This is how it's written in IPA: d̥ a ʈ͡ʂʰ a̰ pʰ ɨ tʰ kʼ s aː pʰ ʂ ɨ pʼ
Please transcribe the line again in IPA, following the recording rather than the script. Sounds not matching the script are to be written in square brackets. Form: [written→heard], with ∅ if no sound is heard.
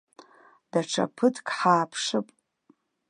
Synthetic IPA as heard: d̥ a ʈ͡ʂʰ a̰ pʰ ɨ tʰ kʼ [s→ħ] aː pʰ ʂ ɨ pʼ